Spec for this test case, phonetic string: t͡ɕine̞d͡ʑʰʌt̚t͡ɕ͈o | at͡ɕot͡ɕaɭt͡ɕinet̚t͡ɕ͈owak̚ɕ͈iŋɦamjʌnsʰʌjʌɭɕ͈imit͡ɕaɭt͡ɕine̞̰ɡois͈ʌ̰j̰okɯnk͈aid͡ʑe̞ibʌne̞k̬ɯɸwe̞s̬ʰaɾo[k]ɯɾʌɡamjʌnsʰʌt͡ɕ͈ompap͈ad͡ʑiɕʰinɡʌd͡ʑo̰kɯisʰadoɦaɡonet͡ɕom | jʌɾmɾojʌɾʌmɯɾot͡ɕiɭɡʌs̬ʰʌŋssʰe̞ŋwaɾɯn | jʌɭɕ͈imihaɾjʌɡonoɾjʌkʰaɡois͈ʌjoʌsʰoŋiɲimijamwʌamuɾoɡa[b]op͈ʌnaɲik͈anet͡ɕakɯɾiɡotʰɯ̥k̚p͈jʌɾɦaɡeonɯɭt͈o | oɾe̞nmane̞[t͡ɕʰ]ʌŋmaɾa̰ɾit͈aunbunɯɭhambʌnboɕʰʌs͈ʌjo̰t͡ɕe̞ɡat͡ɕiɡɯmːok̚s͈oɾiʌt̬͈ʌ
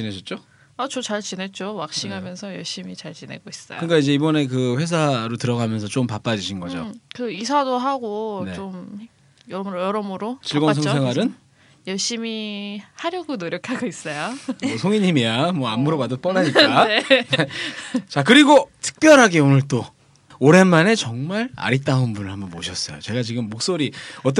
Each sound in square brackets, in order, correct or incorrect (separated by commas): incorrect, incorrect, incorrect